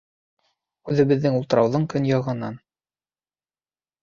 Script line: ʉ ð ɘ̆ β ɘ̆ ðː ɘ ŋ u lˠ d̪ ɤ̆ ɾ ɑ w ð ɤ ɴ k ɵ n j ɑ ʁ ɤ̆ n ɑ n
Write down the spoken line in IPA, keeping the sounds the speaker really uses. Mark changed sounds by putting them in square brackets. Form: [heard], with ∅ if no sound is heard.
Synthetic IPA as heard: ʉ ð ɘ̆ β ɘ̆ ðː ɘ ŋ u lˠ [t̪] ɤ̆ ɾ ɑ w ð ɤ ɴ k ɵ n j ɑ ʁ ɤ̆ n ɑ n